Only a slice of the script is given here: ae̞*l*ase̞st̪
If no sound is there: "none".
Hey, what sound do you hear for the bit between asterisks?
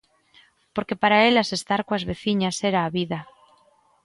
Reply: l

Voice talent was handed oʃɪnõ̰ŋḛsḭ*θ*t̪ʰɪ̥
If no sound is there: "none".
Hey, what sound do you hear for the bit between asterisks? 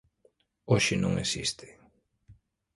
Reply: s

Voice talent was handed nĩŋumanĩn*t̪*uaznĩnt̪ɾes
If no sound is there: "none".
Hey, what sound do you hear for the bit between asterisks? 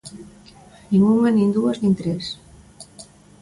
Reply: d̪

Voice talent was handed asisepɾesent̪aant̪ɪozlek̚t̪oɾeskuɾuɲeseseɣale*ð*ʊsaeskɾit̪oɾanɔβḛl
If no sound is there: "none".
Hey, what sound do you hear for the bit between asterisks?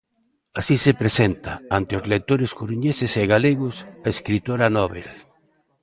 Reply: ɣ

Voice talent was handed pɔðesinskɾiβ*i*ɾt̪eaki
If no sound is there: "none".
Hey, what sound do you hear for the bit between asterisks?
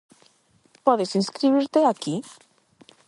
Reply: i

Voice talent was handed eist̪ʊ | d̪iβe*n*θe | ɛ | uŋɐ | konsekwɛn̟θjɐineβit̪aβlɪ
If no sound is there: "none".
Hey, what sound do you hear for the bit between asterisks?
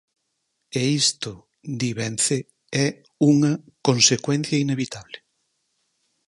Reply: n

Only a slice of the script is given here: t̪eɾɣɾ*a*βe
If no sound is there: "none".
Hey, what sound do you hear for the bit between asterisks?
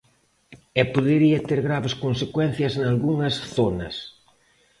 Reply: a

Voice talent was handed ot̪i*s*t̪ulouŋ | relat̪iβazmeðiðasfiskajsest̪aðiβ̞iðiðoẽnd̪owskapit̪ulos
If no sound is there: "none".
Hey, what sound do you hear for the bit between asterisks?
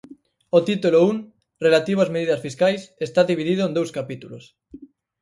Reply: none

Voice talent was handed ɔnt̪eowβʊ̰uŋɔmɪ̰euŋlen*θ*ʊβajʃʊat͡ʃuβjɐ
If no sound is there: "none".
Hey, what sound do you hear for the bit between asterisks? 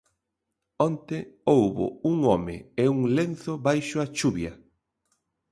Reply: θ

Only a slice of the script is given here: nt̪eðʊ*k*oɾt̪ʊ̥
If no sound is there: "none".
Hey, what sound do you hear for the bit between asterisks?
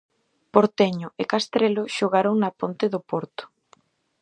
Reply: p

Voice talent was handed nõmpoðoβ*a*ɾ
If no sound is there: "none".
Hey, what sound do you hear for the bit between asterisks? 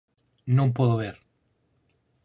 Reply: e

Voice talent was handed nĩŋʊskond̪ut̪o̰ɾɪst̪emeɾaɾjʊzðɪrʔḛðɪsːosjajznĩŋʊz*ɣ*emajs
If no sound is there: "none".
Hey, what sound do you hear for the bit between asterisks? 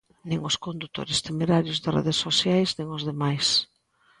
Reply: ð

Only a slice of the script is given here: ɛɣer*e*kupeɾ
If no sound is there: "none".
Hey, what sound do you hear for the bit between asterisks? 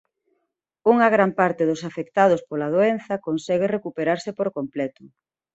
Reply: e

